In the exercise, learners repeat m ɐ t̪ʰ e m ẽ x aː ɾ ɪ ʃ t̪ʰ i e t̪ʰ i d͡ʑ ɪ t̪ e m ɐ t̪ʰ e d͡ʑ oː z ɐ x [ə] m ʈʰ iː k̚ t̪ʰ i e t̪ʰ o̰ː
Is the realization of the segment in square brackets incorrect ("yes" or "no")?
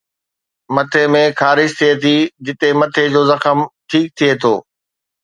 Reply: no